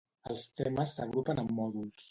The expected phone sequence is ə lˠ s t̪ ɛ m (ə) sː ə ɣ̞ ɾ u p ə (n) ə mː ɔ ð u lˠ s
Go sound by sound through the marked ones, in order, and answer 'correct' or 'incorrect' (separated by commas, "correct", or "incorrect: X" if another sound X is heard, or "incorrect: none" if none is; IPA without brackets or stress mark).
correct, correct